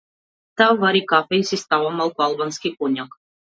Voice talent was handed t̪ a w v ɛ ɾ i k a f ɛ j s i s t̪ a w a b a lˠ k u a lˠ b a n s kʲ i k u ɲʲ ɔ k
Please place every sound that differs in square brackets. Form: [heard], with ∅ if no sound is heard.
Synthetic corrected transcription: t̪ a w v [a] ɾ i k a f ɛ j s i s t̪ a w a [m] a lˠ k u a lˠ b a n s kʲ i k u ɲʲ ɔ k